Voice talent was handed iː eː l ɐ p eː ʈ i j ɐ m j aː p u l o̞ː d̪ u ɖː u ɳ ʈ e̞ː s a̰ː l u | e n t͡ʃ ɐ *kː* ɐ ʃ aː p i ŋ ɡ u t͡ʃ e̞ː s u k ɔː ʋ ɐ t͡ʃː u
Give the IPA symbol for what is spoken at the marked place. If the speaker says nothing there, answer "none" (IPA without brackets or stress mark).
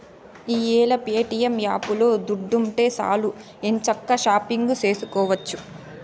kː